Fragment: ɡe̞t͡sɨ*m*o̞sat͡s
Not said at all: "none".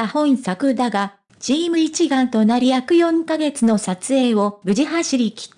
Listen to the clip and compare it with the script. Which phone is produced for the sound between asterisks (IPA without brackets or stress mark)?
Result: n